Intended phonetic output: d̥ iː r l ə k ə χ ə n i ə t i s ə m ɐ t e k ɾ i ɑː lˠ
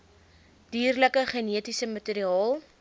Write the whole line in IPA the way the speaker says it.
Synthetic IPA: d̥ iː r l ə k ə χ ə n i ə t i s ə m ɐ t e ɾ i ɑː lˠ